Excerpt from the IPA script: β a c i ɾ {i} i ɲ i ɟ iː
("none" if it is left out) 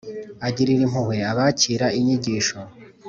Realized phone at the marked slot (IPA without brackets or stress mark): a